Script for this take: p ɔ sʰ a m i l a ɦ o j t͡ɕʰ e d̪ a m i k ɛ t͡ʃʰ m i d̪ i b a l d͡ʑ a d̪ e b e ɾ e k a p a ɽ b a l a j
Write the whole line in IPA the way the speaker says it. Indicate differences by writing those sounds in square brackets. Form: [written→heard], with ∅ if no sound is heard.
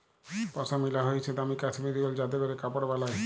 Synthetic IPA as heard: p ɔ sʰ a m i l a ɦ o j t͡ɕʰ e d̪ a m i k [ɛ→a] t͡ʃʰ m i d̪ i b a l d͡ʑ a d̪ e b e ɾ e k a p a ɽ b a l a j